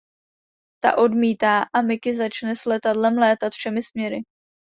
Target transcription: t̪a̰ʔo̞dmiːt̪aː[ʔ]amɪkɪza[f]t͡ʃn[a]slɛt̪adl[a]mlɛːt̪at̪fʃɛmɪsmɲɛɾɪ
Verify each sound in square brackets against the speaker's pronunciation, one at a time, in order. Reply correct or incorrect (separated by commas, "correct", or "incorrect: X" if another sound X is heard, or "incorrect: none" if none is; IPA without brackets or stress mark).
correct, incorrect: none, incorrect: ɛ, incorrect: ɛ